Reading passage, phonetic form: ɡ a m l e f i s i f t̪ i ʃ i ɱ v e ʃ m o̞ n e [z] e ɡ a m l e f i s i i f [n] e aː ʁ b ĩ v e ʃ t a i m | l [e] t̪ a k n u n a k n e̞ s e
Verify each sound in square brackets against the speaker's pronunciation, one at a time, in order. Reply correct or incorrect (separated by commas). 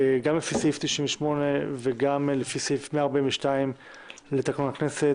incorrect, incorrect, correct